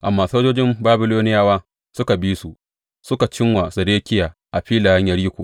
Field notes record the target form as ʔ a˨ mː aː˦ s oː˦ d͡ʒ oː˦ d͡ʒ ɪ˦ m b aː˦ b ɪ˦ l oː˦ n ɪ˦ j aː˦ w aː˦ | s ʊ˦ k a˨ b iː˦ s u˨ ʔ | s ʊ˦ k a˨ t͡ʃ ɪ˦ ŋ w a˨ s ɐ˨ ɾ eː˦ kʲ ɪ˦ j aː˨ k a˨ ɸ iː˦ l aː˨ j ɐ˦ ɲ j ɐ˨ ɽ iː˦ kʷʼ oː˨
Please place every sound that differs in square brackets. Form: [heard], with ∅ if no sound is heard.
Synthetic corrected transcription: ʔ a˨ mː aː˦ s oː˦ d͡ʒ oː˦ d͡ʒ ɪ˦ m b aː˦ b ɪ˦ l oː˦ n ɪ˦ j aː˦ w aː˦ | s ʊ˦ k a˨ b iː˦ s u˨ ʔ | s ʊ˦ k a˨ t͡ʃ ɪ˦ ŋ w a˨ s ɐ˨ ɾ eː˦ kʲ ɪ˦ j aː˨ [ʔ] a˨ ɸ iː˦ l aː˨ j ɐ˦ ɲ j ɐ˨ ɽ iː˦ [kʷ] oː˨